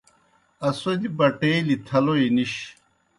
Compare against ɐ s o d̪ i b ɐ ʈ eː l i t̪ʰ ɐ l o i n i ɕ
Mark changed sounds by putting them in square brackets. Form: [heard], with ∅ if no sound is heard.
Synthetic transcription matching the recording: ɐ s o d̪ i b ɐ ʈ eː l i t̪ʰ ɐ l o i n i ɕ